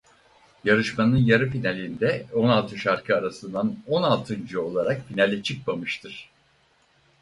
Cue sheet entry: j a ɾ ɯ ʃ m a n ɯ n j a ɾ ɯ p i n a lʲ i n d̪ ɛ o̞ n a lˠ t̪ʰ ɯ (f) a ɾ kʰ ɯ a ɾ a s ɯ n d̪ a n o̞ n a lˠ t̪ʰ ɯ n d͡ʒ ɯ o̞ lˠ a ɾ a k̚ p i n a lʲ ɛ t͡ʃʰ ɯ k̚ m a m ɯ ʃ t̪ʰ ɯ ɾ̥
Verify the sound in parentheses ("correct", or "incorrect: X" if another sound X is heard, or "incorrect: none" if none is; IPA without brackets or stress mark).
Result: incorrect: ʃ